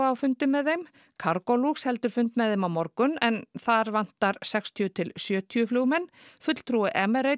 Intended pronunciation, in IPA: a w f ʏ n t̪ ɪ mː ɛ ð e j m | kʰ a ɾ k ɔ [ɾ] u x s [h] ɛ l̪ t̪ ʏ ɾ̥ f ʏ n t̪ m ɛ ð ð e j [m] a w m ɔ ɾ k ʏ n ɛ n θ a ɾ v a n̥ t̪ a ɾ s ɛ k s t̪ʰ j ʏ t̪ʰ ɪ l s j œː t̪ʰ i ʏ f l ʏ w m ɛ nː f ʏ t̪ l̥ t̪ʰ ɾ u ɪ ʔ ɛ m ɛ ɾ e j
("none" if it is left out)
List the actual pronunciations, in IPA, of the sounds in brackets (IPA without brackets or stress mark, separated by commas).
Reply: l, h, m